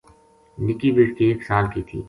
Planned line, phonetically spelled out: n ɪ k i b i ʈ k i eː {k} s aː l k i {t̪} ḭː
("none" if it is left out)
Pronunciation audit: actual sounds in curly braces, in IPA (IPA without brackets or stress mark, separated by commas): k, t̪ʰ